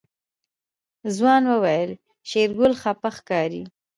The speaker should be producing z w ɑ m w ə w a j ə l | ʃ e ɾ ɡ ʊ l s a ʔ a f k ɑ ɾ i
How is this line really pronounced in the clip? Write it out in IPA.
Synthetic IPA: z w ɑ n w ə w a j ə l | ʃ e ɾ ɡ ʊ l x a p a x k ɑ ɾ i